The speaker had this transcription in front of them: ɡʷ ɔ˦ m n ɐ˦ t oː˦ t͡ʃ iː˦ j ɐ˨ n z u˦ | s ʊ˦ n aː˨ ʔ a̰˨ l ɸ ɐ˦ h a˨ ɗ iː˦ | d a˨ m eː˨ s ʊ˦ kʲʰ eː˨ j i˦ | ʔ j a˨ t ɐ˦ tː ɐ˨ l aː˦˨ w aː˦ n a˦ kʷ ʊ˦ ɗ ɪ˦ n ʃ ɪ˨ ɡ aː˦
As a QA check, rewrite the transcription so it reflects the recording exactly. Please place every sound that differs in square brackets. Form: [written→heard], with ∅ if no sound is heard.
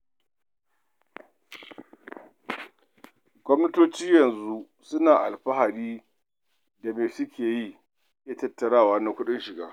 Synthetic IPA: ɡʷ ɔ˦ m n ɐ˦ t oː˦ t͡ʃ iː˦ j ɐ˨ n z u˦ | s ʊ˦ n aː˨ ʔ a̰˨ l ɸ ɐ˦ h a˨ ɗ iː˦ | d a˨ m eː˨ s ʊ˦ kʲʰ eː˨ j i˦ | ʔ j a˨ t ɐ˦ tː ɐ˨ [l→ɽ] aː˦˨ w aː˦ n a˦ kʷ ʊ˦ ɗ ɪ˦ n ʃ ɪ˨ ɡ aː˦